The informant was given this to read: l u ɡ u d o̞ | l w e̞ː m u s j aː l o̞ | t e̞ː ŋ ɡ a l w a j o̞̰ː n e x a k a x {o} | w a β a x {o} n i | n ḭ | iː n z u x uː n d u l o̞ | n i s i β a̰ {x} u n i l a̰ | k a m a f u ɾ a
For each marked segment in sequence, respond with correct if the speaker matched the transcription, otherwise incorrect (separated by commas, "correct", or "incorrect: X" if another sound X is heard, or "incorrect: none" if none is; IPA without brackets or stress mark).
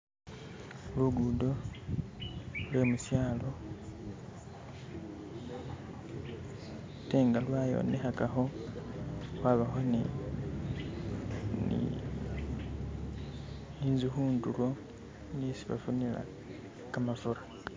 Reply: correct, correct, incorrect: f